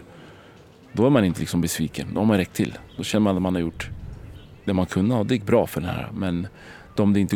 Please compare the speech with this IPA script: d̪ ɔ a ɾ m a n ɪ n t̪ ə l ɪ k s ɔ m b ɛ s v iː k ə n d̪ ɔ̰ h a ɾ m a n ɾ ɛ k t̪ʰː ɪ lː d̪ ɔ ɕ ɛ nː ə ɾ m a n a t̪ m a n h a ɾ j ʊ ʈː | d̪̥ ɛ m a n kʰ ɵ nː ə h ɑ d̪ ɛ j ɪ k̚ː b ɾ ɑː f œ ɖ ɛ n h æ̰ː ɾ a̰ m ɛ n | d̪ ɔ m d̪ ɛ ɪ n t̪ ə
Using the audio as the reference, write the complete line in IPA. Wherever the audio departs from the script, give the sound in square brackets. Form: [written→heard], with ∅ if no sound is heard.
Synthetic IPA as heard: d̪ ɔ [a→æ] ɾ m a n ɪ n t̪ ə l ɪ k s ɔ m b ɛ s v iː k ə n d̪ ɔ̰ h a ɾ m a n ɾ ɛ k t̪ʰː ɪ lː d̪ ɔ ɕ ɛ nː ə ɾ m a n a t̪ m a n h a ɾ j ʊ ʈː | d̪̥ ɛ m a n kʰ ɵ nː ə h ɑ d̪ ɛ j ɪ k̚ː b ɾ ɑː f œ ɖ ɛ n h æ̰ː ɾ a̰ m ɛ n | d̪ ɔ m d̪ ɛ ɪ n t̪ ə